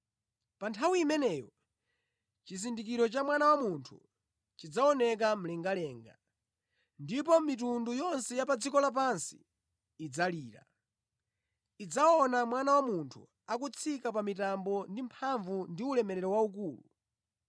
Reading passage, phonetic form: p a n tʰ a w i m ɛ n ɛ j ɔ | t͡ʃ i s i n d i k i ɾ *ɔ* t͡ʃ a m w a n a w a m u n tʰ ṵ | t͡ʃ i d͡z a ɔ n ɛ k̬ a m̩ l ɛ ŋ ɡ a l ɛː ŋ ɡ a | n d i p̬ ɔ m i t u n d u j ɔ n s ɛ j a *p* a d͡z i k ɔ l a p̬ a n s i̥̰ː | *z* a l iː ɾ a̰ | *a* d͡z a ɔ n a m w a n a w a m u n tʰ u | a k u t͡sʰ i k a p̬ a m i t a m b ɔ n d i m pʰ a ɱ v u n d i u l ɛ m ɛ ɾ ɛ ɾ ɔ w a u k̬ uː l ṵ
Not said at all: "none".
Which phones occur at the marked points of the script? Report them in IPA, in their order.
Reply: ɔ, p, d͡z, i

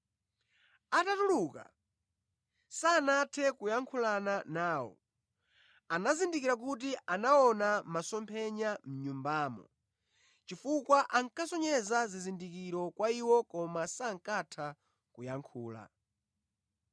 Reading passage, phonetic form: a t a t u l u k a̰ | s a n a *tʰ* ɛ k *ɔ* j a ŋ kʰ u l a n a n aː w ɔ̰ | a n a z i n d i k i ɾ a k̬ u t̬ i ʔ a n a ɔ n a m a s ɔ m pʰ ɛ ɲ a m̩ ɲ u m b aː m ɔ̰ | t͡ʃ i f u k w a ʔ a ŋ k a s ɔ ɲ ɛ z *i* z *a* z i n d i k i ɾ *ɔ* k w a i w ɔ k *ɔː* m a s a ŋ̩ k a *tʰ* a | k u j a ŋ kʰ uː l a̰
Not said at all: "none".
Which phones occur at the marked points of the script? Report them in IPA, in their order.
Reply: tʰ, u, a, i, ɔ, ɔ, tʰ

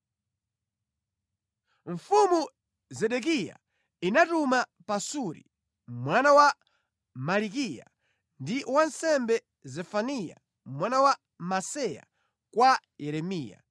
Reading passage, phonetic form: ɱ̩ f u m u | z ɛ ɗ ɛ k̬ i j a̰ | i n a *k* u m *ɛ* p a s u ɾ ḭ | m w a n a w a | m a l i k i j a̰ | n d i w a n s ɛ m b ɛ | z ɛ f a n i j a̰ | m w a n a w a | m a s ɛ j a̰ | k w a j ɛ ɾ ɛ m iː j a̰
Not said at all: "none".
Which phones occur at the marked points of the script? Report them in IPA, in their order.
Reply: t, a

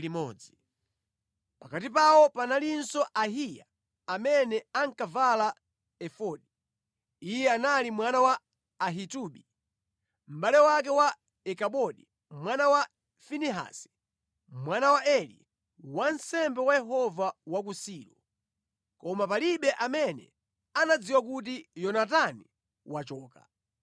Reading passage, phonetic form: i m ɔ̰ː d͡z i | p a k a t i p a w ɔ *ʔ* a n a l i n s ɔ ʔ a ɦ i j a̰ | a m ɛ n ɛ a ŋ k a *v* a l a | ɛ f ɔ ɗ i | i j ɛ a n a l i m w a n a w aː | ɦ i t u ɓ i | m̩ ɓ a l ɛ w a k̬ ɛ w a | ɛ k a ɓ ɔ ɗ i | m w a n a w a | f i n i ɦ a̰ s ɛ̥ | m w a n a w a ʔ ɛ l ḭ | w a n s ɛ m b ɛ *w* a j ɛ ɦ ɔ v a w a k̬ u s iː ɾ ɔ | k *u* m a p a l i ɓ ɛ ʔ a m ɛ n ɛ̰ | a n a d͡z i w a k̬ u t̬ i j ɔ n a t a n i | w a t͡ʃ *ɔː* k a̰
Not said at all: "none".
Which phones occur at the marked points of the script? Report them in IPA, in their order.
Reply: p, v, w, ɔ, ɔː

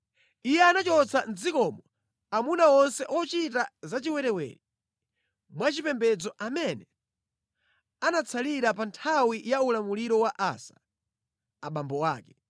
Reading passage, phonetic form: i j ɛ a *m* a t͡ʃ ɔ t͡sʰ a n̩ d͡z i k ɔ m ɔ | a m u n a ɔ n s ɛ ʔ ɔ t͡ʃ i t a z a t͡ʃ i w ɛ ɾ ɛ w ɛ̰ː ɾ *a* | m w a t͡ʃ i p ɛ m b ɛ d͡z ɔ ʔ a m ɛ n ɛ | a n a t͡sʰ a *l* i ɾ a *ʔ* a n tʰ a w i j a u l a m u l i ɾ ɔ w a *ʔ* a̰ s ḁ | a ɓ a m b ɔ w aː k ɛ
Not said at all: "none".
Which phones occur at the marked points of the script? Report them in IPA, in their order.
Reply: n, i, l, p, ʔ

